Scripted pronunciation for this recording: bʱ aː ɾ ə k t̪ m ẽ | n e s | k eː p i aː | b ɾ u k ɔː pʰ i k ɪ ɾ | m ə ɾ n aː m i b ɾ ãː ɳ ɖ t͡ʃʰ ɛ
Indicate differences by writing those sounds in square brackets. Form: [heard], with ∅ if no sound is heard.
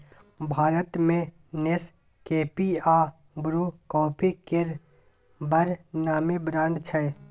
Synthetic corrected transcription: bʱ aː ɾ ə [∅] t̪ m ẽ | n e s | k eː p i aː | b ɾ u k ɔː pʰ i k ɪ ɾ | [b] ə ɾ n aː m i b ɾ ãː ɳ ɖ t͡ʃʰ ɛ